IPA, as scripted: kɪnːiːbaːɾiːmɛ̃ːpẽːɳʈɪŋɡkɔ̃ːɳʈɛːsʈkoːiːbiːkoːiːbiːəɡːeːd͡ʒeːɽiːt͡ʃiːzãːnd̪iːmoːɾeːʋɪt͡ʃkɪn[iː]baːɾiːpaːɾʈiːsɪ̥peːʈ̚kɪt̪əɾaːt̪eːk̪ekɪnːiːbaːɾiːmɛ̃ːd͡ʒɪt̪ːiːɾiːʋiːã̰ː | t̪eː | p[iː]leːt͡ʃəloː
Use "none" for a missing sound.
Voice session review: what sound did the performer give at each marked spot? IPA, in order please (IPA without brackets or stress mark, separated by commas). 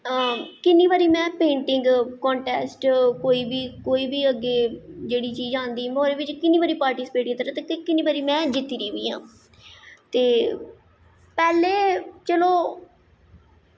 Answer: iː, ɛː